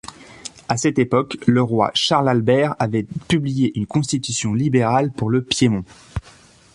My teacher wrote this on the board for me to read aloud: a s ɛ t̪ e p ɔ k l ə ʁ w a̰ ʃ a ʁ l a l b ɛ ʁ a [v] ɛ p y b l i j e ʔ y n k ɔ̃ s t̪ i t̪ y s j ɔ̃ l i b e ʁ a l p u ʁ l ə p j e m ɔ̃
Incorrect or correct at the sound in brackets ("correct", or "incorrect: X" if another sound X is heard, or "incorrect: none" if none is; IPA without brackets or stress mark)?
correct